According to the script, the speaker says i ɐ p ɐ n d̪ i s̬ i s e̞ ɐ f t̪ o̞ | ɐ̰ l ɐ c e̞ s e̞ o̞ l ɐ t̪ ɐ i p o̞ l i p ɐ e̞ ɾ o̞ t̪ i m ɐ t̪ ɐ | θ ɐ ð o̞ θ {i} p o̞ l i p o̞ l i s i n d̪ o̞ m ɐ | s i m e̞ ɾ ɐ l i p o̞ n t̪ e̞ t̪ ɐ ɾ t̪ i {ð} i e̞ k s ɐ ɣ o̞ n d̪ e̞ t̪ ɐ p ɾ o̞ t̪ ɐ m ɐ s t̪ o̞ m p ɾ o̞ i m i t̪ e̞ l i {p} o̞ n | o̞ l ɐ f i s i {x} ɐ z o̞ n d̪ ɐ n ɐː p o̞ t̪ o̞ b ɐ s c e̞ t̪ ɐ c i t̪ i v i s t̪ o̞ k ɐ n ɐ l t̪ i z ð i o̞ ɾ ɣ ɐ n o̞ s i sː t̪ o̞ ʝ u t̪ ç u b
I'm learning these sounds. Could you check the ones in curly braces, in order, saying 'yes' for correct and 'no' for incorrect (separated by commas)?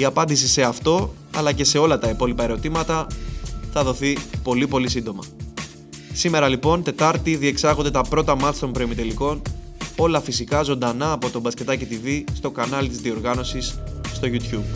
yes, yes, no, no